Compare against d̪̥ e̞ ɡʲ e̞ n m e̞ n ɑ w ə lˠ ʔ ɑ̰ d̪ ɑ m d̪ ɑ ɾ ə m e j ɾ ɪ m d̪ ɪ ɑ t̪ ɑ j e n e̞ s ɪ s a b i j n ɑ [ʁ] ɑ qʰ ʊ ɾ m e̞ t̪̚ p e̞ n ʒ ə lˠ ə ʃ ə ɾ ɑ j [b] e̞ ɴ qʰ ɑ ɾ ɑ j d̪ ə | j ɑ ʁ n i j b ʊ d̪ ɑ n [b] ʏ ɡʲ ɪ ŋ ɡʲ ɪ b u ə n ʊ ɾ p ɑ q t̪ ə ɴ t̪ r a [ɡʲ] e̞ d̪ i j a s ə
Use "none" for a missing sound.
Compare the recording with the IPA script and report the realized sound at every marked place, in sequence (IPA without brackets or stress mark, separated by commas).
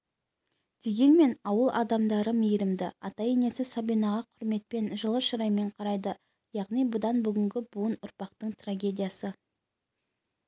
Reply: ʁ, m, b, ɡʲ